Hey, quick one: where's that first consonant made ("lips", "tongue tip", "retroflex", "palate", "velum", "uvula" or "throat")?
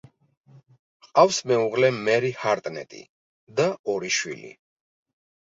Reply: uvula